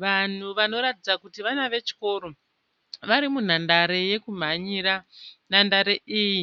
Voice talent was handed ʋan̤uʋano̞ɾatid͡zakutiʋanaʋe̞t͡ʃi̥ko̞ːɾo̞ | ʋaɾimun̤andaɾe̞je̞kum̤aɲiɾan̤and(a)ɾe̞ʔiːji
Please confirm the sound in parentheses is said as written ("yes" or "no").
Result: yes